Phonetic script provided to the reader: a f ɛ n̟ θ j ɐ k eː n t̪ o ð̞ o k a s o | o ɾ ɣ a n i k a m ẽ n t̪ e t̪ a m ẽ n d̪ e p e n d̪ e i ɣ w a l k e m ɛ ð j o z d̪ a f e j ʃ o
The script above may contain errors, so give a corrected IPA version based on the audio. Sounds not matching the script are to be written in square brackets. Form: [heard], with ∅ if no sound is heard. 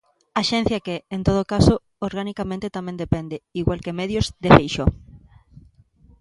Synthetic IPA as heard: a [ʃ] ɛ n̟ θ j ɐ k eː n t̪ o ð̞ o k a s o | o ɾ ɣ a n i k a m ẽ n t̪ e t̪ a m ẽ n d̪ e p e n d̪ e i ɣ w a l k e m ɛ ð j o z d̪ [e] f e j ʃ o